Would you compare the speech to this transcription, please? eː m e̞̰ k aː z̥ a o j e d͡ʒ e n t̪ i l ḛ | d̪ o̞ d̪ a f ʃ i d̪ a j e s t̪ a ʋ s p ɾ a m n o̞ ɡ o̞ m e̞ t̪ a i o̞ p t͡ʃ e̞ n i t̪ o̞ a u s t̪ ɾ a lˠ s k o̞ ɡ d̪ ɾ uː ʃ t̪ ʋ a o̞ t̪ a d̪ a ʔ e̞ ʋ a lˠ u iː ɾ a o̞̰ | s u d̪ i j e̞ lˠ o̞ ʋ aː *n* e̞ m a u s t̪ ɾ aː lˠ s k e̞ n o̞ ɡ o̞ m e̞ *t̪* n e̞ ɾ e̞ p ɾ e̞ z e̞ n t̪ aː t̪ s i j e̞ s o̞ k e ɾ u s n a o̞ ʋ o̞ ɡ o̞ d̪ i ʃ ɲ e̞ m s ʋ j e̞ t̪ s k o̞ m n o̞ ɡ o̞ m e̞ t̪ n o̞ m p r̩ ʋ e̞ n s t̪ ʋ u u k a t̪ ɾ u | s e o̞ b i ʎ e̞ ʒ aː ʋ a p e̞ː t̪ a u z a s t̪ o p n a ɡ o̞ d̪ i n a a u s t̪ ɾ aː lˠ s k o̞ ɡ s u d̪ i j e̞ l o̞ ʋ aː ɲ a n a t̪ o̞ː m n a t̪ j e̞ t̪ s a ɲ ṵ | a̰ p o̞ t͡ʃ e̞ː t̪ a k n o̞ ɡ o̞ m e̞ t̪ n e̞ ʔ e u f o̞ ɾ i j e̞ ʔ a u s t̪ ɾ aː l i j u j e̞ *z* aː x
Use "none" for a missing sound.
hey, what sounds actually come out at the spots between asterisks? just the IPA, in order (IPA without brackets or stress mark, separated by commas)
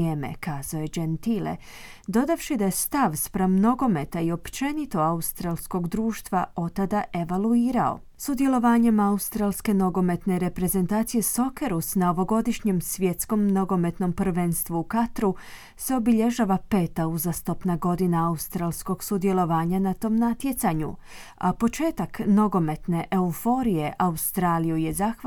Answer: ɲ, t̪, z